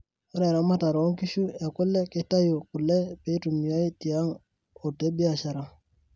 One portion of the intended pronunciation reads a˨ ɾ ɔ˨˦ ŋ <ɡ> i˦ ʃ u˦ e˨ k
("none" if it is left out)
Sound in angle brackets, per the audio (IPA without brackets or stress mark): k